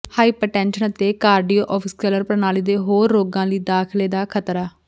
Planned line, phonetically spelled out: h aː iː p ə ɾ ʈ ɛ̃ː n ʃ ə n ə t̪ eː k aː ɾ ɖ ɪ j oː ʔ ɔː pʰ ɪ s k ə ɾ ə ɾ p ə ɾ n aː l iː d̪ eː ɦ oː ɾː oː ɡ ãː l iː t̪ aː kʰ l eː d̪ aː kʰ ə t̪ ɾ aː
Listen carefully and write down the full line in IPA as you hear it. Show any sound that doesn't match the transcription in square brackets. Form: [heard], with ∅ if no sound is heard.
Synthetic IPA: h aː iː p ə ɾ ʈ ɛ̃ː n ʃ ə n ə t̪ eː k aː ɾ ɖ [i] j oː ʔ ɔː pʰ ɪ s k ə [l] ə ɾ p ə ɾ n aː l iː d̪ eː ɦ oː ɾː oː ɡ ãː l iː [d̪] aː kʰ l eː d̪ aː kʰ ə t̪ ɾ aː